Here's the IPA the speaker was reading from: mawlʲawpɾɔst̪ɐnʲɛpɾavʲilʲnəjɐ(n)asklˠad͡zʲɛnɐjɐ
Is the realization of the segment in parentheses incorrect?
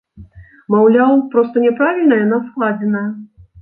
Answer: no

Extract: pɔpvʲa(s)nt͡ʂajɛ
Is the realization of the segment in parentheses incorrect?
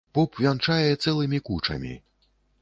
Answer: yes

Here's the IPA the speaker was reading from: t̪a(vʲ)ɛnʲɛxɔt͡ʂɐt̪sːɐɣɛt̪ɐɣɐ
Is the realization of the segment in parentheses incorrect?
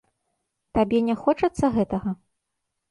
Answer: yes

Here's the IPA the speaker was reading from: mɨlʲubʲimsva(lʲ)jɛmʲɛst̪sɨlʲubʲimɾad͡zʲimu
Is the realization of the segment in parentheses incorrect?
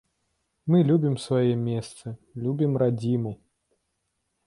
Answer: yes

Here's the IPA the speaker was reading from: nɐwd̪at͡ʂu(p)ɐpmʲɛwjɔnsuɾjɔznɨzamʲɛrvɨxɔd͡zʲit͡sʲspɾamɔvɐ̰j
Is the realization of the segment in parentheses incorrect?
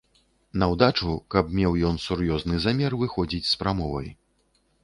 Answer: yes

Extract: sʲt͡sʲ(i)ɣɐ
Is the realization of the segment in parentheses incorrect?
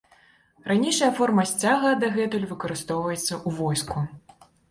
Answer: yes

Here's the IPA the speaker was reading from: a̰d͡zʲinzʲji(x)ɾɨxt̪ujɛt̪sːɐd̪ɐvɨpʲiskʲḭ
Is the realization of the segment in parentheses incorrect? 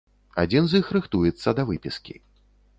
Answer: no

